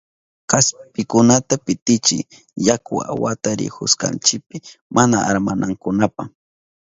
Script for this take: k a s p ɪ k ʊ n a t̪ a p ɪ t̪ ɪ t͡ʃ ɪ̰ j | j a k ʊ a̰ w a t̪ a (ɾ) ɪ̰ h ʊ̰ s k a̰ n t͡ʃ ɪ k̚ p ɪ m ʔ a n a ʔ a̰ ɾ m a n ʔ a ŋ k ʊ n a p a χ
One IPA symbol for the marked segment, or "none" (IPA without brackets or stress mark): ɾ